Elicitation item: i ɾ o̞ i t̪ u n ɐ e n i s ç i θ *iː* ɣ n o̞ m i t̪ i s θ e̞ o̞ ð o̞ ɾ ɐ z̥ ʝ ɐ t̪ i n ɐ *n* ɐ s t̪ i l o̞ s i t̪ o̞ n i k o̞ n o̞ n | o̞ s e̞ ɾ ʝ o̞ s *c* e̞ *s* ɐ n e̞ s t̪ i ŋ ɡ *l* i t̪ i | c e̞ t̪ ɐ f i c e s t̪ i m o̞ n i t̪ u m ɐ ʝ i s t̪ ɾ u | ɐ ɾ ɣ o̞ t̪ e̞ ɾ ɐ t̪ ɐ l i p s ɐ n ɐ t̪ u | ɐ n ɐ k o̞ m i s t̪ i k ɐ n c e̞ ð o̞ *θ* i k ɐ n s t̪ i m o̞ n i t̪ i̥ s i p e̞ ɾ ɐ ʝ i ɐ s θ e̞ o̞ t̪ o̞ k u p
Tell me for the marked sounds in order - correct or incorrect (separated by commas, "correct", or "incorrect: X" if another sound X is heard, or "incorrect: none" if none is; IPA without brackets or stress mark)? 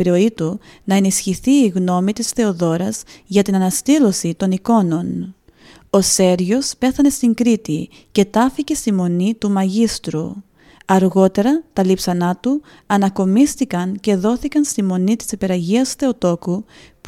correct, correct, incorrect: p, incorrect: θ, incorrect: ɾ, correct